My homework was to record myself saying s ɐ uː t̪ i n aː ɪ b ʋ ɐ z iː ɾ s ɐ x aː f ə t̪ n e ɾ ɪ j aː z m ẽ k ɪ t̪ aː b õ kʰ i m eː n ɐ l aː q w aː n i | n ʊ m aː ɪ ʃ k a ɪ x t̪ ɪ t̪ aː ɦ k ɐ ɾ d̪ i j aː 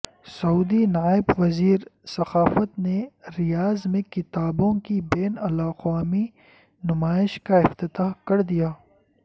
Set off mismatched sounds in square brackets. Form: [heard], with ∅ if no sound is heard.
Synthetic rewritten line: s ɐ uː [d̪] i n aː ɪ b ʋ ɐ z iː ɾ s ɐ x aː f ə t̪ n e ɾ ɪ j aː z m ẽ k ɪ t̪ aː b õ [k] i [b] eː n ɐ l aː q w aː [m] i | n ʊ m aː ɪ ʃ k a ɪ [f] t̪ ɪ t̪ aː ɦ k ɐ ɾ d̪ i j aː